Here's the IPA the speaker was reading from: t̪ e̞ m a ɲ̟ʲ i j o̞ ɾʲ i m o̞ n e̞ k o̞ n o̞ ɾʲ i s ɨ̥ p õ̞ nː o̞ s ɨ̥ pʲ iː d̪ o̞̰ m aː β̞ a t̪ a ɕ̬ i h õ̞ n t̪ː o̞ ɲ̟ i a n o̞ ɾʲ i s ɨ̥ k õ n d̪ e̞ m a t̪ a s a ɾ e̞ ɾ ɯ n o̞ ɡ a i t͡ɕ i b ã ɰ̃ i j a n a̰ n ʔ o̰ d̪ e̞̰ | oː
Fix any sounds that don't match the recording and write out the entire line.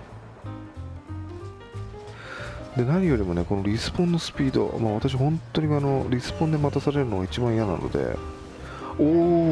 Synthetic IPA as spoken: d̪ e̞ n a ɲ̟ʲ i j o̞ ɾʲ i m o̞ n e̞ k o̞ n o̞ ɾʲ i s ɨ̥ p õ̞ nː o̞ s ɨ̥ pʲ iː d̪ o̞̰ m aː β̞ a t̪ a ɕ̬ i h õ̞ n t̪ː o̞ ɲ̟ i a n o̞ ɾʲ i s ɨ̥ p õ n d̪ e̞ m a t̪ a s a ɾ e̞ ɾ ɯ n o̞ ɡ a i t͡ɕ i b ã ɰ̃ i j a n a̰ n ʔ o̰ d̪ e̞̰ | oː